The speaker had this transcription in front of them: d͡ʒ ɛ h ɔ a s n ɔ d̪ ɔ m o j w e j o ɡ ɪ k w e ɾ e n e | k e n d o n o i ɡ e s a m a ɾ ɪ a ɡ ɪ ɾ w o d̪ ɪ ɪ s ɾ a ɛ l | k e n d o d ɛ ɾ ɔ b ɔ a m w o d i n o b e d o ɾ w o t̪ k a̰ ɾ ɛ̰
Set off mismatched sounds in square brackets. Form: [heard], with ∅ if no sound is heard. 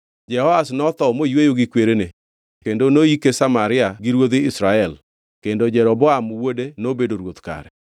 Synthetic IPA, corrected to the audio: d͡ʒ ɛ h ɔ a s n ɔ [t̪] ɔ m o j w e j o ɡ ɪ k w e ɾ e n e | k e n d o n o i [k] e s a m a ɾ ɪ a ɡ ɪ ɾ w o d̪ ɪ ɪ s ɾ a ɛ l | k e n d o [d͡ʒ] ɛ ɾ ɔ b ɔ a m w o d [e] n o b e d o ɾ w o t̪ k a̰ ɾ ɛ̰